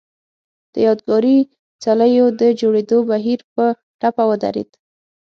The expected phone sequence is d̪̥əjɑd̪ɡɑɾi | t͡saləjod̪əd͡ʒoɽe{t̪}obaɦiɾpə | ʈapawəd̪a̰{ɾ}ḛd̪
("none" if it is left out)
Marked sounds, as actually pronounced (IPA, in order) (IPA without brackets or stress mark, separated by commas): d̪, ɾ